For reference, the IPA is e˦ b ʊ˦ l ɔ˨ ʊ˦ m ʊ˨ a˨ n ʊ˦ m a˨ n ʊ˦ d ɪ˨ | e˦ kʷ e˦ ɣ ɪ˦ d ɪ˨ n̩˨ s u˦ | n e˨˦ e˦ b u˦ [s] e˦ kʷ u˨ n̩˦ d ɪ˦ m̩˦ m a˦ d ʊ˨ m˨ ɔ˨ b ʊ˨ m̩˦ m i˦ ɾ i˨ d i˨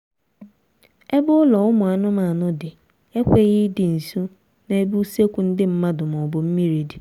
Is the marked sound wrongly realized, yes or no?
no